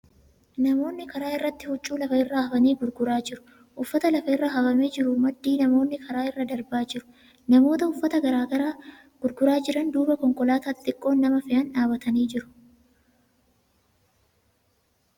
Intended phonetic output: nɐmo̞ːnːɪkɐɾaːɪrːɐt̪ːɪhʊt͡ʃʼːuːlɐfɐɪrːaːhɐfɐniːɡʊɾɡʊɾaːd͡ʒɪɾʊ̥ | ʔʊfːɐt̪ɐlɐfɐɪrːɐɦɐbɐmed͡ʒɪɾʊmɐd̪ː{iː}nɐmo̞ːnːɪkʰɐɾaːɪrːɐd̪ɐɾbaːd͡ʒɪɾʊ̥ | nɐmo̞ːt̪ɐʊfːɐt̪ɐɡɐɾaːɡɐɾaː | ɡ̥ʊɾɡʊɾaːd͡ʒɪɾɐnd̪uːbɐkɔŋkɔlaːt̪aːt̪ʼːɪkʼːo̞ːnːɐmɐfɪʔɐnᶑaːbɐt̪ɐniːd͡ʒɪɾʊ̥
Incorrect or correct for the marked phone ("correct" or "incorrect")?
correct